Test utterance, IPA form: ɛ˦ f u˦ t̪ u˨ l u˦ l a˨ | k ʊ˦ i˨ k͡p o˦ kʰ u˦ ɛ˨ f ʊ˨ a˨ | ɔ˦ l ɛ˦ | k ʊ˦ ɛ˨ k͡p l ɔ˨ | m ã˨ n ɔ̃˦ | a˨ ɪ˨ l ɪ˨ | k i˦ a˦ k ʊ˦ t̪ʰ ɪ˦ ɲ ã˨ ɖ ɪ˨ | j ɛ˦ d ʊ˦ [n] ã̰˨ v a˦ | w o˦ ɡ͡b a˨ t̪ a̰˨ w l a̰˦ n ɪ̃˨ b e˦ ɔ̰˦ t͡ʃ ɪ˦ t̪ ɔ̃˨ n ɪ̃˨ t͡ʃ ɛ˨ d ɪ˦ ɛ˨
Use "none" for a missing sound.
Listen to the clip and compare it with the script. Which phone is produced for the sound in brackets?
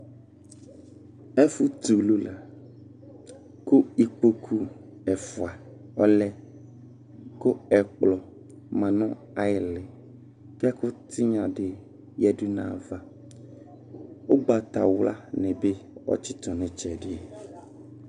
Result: n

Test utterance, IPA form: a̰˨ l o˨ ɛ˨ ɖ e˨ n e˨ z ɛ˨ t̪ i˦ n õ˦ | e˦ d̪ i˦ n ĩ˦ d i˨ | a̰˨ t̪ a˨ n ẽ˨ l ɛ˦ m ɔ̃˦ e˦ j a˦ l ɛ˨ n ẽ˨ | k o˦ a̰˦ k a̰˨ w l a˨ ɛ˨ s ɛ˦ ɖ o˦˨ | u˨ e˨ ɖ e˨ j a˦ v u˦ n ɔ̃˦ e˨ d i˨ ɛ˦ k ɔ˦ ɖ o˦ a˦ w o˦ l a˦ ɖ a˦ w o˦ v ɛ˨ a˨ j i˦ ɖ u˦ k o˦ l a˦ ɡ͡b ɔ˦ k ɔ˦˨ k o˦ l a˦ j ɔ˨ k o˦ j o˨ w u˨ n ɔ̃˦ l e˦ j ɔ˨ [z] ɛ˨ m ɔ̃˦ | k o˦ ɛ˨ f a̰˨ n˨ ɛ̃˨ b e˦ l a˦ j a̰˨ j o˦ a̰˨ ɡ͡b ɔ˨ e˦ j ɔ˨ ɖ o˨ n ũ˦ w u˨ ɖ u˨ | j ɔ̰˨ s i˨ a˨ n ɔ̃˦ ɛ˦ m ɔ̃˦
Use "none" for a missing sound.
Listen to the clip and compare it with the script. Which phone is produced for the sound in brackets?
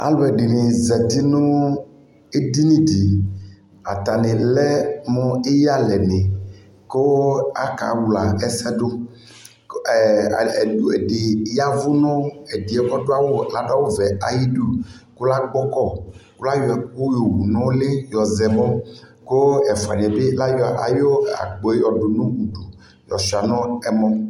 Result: z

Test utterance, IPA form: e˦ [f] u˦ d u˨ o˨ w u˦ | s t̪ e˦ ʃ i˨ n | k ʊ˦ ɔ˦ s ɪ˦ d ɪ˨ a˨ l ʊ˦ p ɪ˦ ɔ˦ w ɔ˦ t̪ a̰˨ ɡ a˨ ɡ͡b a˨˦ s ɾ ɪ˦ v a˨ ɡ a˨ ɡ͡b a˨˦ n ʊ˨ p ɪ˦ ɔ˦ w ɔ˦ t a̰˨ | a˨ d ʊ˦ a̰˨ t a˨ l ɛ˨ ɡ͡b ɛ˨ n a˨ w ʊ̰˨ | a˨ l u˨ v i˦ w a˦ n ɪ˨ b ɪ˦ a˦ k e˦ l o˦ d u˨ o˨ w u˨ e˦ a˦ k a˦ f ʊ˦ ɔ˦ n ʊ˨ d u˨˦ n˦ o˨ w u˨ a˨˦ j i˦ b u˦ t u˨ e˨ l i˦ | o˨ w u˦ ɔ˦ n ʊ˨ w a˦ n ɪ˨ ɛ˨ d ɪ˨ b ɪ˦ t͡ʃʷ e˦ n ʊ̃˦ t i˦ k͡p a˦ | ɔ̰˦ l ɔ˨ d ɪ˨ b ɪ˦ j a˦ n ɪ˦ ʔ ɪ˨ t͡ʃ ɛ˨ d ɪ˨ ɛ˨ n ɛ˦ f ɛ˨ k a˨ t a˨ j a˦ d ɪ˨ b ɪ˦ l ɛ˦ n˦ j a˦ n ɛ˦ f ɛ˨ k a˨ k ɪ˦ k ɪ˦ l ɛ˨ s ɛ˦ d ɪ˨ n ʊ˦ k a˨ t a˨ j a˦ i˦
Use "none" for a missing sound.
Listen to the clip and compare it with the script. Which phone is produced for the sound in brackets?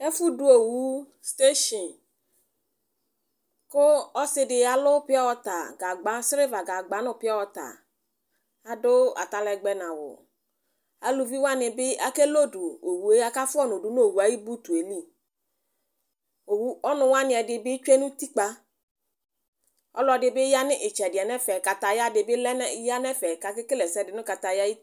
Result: f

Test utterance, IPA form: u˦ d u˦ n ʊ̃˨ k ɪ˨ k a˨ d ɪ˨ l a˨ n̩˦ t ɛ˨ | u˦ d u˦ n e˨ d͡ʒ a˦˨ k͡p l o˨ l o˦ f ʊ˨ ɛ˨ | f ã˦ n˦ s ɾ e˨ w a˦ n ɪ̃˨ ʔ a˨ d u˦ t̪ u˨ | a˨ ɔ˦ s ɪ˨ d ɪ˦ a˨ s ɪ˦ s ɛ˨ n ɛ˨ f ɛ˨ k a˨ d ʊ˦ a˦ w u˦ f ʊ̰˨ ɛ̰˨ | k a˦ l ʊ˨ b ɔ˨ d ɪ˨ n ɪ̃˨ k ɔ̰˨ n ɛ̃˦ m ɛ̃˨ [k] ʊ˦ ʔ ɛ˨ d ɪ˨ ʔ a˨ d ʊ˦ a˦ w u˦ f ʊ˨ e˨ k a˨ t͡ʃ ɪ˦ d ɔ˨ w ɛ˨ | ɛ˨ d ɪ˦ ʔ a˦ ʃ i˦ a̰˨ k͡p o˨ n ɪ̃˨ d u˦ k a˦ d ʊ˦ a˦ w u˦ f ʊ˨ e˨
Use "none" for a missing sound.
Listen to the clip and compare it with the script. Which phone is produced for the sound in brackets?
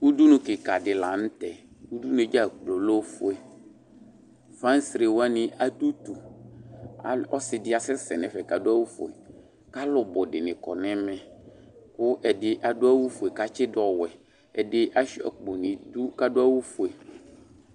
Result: k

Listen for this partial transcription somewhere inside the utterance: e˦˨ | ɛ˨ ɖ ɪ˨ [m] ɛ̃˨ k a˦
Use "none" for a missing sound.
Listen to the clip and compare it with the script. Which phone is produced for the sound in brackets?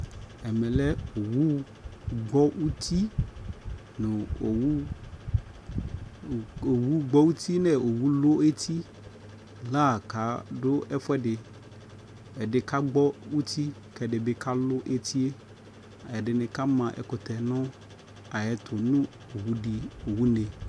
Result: n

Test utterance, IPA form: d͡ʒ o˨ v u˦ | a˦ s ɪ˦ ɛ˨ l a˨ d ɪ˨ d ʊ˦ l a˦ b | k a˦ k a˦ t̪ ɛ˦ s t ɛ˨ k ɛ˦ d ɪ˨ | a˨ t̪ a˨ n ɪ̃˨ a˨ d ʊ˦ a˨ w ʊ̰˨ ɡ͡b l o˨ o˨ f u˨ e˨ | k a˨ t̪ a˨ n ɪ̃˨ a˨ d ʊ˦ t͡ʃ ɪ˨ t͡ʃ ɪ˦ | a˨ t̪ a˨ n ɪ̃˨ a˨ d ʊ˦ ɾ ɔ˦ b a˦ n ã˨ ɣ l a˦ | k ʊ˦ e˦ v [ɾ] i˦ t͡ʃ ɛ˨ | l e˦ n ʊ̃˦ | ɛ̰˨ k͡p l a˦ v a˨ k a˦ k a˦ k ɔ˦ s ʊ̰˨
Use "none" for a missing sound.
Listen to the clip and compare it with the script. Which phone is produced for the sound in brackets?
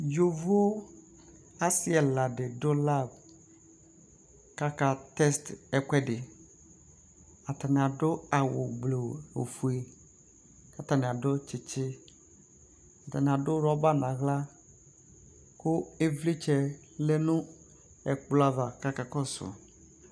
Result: l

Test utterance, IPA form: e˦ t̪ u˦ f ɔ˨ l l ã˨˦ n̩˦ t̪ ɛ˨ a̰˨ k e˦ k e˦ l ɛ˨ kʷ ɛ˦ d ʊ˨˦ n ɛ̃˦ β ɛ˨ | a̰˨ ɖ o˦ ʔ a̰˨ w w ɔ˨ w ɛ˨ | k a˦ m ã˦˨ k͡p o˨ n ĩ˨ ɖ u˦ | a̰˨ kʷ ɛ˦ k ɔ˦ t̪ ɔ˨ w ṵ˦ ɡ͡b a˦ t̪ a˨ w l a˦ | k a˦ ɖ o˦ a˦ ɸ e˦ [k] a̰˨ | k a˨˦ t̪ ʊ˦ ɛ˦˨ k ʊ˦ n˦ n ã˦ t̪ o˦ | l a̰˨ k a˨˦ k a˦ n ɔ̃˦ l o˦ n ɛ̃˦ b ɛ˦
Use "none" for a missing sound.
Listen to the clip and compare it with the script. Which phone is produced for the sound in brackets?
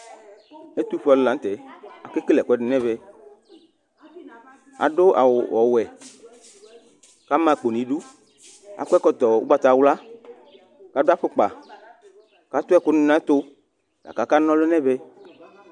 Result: k͡p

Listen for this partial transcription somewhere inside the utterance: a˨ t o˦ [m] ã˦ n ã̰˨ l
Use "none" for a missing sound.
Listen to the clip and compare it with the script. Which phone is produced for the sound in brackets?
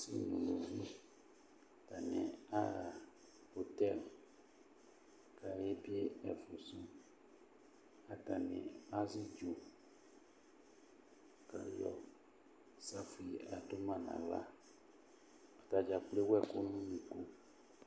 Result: m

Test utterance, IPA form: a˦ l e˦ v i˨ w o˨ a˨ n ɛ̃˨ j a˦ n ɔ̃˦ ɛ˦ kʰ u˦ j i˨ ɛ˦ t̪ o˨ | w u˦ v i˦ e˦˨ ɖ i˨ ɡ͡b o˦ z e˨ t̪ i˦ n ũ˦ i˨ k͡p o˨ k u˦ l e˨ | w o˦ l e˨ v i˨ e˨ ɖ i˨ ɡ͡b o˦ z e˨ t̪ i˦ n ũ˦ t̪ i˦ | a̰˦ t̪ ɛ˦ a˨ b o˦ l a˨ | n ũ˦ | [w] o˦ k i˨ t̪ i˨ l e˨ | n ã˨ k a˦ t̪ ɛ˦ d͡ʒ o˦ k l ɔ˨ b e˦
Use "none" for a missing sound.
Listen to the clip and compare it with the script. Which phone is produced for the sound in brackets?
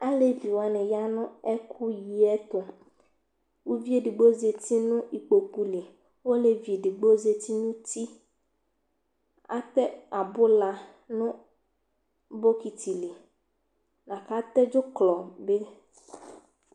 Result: b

